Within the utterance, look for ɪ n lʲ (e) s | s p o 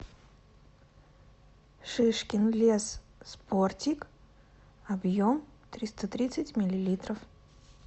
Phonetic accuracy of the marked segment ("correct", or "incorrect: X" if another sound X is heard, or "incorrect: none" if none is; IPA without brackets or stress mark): correct